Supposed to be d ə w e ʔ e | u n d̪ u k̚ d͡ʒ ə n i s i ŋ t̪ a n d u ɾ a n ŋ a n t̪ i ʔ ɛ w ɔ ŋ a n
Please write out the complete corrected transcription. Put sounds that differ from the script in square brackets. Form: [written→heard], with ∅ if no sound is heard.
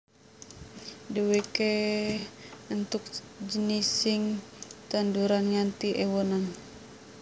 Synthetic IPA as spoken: d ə w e [ʔ→k] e | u n [d̪→t̪] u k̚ d͡ʒ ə n i s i ŋ t̪ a n d u ɾ a n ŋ a n t̪ i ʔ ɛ w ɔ [ŋ→n] a n